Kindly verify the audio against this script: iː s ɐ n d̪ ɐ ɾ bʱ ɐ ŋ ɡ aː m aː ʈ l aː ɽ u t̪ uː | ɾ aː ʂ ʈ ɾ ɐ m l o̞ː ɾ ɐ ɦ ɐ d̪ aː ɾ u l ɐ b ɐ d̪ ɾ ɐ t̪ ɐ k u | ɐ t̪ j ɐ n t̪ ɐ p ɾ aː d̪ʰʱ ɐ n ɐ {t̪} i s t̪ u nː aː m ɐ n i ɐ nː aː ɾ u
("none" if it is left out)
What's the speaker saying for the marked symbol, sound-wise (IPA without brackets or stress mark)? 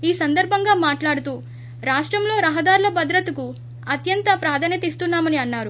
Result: t̪